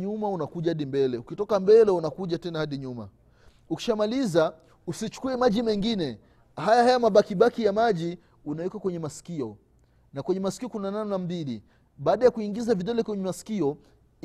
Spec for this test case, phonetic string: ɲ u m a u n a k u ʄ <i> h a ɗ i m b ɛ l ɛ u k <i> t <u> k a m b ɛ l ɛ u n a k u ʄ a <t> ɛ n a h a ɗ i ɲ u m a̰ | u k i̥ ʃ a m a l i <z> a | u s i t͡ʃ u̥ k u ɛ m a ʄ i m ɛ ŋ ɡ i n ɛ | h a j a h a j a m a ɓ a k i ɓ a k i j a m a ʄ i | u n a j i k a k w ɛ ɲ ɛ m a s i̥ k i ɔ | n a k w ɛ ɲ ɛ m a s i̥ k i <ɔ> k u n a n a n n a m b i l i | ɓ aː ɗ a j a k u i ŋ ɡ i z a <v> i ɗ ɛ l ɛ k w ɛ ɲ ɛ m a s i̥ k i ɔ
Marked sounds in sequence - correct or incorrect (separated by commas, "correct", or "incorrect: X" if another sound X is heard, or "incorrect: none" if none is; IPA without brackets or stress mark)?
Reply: incorrect: a, correct, incorrect: ɔ, correct, correct, correct, correct